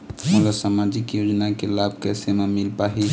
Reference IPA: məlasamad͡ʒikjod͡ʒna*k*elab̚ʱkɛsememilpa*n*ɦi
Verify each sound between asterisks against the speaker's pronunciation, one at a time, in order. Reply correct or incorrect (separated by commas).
correct, incorrect